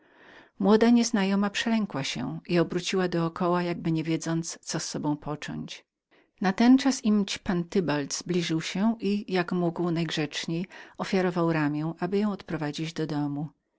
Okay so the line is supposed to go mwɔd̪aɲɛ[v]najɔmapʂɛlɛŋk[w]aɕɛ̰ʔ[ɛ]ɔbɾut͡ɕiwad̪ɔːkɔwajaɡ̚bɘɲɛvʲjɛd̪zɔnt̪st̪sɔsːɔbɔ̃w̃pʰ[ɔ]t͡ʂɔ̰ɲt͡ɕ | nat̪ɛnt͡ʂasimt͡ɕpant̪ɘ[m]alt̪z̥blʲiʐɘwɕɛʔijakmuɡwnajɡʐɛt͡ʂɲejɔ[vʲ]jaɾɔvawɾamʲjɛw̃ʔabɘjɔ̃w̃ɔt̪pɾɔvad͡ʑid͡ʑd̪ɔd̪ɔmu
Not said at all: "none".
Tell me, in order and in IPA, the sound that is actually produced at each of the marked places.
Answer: z, w, i, ɔ, b, fʲ

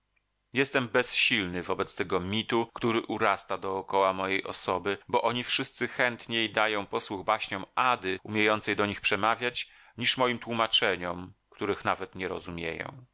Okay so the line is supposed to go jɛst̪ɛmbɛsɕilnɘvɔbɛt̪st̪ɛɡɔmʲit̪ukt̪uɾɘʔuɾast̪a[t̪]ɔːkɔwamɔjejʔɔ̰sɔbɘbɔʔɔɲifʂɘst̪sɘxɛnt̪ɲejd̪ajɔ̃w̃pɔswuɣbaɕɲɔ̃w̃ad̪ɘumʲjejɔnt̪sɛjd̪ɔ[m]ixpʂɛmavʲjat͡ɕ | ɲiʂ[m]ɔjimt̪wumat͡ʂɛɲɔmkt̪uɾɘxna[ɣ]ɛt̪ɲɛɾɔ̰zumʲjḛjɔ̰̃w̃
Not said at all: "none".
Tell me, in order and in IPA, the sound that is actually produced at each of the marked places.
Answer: d̪, ɲ, m, v

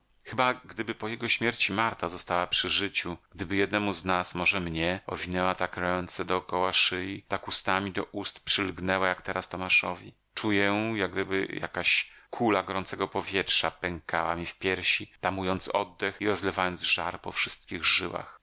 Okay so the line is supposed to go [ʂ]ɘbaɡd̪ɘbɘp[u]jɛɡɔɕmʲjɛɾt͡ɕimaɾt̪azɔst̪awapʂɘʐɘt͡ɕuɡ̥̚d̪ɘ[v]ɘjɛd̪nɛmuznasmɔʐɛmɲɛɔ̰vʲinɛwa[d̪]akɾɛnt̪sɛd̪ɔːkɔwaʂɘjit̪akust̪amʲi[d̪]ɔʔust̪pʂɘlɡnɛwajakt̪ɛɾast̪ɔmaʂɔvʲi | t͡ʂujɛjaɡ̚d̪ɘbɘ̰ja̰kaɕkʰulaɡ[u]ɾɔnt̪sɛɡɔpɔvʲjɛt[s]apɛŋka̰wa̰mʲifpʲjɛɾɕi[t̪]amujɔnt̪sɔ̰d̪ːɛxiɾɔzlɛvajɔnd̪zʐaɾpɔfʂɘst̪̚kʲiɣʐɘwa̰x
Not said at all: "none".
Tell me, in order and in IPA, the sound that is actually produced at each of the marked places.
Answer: x, ɔ, b, t̪, d̪, ɔ, ʂ, t̪

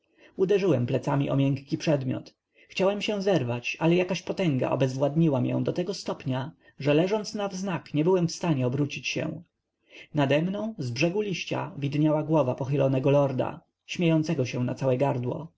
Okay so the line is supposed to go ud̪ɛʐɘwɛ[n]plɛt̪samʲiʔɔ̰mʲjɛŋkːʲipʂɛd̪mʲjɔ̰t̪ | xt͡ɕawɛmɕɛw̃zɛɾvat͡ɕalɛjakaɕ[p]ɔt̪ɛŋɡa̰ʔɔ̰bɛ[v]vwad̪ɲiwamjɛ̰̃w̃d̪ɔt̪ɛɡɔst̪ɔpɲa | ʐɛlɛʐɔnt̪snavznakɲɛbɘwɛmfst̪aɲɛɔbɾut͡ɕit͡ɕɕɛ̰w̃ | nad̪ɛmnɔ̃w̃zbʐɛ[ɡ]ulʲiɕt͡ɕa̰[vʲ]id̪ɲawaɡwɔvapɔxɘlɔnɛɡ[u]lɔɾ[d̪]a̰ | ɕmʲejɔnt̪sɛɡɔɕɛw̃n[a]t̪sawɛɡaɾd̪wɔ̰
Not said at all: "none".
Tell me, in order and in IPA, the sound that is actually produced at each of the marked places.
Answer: m, p, z, ɡ, vʲ, ɔ, d̪, a

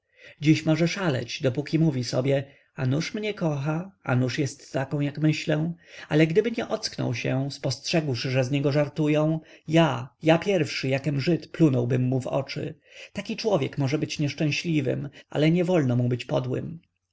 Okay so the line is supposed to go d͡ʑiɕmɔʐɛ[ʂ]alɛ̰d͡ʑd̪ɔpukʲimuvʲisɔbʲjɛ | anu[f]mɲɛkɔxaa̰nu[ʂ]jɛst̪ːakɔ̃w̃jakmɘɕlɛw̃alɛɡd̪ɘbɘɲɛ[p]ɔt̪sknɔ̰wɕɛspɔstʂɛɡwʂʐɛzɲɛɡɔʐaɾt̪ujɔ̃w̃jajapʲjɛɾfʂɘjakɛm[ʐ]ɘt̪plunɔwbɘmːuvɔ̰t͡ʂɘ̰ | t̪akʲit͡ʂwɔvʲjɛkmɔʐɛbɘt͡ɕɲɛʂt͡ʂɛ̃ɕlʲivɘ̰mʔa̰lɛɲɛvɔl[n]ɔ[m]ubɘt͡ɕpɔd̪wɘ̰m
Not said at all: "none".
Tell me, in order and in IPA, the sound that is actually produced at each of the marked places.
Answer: ʂ, ʂ, ʂ, ʔ, ʐ, n, m

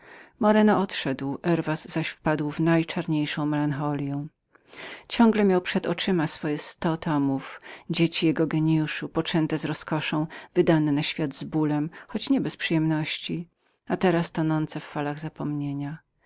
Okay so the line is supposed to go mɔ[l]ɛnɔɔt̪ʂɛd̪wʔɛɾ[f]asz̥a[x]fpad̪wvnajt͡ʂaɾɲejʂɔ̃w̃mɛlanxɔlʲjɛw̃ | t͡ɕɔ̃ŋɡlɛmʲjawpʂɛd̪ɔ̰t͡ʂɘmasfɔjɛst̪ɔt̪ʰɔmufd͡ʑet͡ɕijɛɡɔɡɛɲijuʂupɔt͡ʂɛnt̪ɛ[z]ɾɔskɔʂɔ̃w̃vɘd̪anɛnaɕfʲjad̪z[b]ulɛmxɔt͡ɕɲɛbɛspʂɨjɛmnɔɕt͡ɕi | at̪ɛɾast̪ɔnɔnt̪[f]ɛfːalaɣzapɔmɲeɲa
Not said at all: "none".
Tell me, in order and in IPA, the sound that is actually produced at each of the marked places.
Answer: ɾ, v, ɕ, z, b, s

